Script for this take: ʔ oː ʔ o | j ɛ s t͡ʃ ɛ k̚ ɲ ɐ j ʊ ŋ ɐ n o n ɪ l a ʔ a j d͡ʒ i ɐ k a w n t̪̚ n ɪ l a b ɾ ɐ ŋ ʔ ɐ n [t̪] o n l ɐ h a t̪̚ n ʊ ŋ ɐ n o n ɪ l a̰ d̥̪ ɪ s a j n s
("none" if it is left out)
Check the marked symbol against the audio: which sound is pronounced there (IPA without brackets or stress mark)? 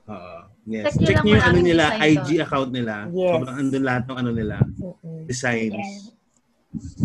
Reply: d̪